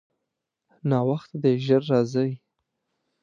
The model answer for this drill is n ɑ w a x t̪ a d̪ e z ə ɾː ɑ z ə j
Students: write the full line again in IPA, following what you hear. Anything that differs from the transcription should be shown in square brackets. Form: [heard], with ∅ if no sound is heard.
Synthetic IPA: n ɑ w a x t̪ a d̪ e [ʒ] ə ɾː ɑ z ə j

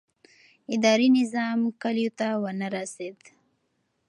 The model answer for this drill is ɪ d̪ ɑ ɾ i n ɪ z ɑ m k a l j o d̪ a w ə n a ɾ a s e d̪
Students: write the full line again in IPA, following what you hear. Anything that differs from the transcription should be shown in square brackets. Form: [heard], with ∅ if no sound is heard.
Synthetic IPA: ɪ d̪ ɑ ɾ i n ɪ z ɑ m k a l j o [t̪] a w ə n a ɾ a s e d̪

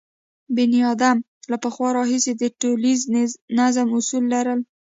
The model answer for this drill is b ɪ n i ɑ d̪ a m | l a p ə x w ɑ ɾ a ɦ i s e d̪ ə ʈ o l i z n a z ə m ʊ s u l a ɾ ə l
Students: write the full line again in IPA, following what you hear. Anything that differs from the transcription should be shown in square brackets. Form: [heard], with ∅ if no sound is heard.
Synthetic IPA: b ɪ n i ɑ d̪ a m | l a p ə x w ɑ ɾ [ɑ] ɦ i s e d̪ ə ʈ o l i z n a z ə m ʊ s u [lː] a ɾ ə l

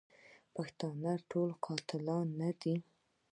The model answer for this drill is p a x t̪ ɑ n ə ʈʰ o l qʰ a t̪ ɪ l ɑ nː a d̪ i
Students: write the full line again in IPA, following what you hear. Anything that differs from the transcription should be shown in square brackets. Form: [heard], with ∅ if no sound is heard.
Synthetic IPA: p a x t̪ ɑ n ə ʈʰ o l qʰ [ɑ] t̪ ɪ l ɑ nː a d̪ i

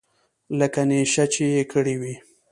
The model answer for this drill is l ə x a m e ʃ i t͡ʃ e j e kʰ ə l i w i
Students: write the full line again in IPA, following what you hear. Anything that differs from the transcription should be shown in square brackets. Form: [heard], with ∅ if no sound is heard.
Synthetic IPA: l ə [k] a [n] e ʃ [a] t͡ʃ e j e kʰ ə [ɽ] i w i

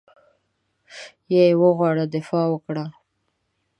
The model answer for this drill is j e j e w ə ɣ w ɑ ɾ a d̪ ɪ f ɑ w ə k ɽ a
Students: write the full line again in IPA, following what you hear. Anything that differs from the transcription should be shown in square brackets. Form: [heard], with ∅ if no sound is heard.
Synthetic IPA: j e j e w ə ɣ w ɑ [ɽ] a d̪ ɪ f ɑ w ə k ɽ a

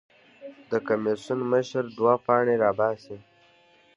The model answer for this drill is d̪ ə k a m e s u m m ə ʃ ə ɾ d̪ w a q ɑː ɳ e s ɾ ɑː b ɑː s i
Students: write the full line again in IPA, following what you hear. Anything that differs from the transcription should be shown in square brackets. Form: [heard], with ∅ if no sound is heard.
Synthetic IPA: d̪ ə k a m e s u [n] m ə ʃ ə ɾ d̪ w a [p] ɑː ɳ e [∅] ɾ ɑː b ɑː s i

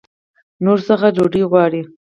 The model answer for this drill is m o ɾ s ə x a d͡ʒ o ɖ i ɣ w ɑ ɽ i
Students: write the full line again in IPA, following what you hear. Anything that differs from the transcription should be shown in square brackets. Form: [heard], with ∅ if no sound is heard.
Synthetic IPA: [n] o ɾ s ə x a d͡ʒ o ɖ i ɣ w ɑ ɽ i

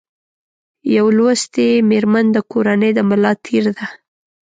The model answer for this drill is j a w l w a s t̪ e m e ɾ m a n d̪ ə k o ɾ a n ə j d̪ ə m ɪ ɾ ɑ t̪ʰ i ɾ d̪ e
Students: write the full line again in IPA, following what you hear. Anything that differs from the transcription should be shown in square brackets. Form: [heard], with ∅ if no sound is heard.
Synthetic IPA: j a w l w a s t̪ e m e ɾ m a n d̪ ə k o ɾ a n ə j d̪ ə m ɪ [l] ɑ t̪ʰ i ɾ d̪ [a]

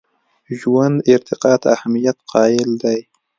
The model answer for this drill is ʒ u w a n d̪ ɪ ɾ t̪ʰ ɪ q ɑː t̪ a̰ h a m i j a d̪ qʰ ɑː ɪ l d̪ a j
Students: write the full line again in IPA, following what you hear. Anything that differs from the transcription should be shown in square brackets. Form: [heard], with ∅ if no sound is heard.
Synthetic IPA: ʒ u w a n d̪ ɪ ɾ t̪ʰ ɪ q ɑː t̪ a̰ h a m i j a [t̪] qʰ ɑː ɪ l d̪ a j

